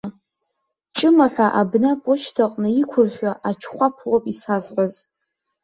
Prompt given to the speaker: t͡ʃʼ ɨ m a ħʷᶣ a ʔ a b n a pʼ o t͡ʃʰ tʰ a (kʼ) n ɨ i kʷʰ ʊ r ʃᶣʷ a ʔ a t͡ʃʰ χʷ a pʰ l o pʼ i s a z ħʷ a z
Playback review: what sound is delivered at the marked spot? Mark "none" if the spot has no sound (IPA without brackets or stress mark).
qʼ